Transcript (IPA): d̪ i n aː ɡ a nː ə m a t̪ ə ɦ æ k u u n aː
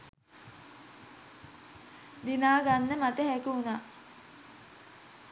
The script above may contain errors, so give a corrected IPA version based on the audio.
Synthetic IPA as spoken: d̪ i n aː ɡ a nː ə m a t̪ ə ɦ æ k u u n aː